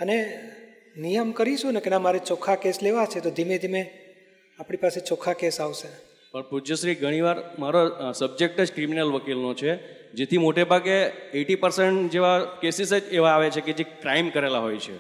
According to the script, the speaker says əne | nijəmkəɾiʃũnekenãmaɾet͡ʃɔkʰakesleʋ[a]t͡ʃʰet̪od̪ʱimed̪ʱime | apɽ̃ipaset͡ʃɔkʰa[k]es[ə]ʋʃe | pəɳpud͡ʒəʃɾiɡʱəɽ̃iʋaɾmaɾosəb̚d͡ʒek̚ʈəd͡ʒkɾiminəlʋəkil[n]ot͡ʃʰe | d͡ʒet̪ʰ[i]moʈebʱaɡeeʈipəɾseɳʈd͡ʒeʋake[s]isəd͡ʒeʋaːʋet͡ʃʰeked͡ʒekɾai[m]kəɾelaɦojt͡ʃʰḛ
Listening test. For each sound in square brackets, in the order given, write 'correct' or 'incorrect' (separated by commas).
correct, correct, incorrect, correct, correct, correct, correct